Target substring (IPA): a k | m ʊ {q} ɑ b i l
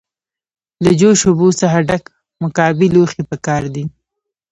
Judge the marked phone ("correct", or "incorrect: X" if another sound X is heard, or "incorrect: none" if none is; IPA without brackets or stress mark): incorrect: k